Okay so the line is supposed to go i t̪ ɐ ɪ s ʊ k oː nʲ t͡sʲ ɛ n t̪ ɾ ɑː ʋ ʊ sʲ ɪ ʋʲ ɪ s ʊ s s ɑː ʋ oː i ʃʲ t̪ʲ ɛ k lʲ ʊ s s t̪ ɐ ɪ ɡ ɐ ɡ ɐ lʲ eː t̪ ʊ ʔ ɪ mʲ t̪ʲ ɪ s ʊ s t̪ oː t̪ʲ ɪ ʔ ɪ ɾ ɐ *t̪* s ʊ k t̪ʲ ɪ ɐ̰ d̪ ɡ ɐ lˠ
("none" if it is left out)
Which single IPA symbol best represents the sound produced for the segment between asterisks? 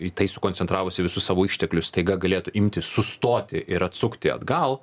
t̪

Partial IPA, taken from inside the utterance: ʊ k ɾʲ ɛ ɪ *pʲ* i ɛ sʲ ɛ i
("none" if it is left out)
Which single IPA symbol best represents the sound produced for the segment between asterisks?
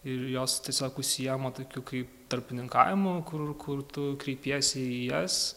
pʲ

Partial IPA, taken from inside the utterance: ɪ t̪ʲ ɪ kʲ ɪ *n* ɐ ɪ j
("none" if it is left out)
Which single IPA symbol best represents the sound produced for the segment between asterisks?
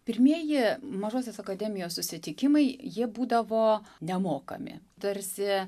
m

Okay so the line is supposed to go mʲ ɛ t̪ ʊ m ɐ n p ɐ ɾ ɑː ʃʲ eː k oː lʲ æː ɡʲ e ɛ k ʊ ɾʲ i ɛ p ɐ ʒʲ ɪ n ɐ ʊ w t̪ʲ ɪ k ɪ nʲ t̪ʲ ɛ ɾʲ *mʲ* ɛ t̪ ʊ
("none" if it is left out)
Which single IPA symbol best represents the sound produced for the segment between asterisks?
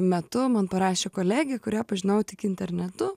nʲ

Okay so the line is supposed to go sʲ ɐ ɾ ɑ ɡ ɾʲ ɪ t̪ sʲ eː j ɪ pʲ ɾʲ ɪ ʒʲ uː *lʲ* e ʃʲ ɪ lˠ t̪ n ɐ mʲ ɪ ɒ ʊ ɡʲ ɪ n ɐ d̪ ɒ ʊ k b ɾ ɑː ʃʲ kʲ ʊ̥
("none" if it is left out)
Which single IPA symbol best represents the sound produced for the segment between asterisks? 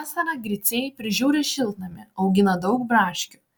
ɾʲ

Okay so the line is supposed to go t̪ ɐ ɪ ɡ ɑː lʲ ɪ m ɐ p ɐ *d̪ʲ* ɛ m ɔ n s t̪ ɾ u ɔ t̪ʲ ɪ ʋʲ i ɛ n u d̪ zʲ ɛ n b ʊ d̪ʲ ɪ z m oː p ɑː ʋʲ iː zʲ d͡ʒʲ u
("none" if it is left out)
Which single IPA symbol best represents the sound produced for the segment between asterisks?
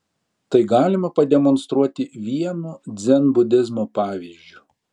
d̪ʲ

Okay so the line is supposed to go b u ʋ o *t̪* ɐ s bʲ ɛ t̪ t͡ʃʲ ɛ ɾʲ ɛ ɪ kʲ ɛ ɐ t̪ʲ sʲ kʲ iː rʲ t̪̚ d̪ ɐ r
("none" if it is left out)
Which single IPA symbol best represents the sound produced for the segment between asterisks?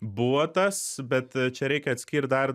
t̪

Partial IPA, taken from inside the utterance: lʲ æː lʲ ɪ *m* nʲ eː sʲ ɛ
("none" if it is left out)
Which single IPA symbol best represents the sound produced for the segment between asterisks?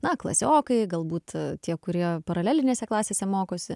none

